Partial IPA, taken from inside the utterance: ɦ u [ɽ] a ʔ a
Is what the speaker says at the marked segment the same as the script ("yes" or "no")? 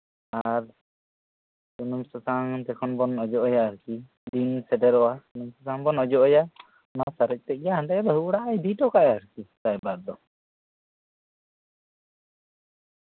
yes